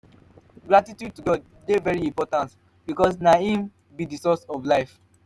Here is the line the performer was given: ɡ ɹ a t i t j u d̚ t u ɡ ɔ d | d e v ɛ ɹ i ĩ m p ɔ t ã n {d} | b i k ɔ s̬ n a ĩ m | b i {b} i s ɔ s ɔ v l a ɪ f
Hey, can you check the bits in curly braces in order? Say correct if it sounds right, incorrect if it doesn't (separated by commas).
incorrect, incorrect